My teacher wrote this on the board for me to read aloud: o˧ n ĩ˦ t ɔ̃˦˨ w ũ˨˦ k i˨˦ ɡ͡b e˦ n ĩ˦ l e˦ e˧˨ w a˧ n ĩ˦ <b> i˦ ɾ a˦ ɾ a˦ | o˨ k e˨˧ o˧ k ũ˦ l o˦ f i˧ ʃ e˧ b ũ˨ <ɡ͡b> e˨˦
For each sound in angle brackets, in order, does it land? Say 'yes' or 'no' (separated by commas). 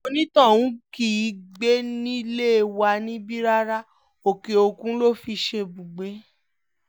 yes, yes